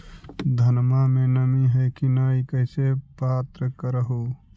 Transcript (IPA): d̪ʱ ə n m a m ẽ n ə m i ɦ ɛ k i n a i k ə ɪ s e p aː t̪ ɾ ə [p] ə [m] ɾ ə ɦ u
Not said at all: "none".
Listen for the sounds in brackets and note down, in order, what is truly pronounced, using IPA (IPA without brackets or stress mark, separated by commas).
k, none